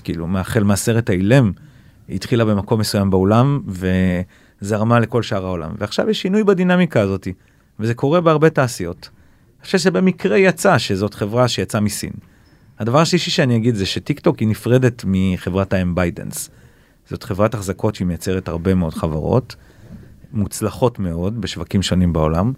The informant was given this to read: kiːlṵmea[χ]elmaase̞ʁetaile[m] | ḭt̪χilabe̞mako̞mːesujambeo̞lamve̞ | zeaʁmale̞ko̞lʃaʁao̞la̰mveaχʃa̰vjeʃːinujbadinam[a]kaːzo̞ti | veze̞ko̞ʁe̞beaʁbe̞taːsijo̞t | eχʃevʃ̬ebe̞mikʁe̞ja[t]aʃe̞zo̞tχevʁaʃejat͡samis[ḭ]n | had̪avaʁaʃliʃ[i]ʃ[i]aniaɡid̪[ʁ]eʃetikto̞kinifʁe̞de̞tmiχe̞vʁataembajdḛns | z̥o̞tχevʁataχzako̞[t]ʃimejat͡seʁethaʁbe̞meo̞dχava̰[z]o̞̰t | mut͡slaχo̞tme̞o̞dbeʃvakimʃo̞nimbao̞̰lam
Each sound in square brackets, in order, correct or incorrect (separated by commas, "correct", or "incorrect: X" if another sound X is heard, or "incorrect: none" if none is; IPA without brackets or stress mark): correct, correct, incorrect: i, incorrect: t͡s, correct, correct, incorrect: e, incorrect: z, correct, incorrect: ʁ